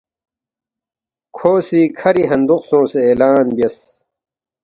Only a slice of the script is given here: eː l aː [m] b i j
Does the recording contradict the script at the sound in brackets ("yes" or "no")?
yes